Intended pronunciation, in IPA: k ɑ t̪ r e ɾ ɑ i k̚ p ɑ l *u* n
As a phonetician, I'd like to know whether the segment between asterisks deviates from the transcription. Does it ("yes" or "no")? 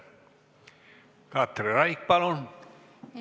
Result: yes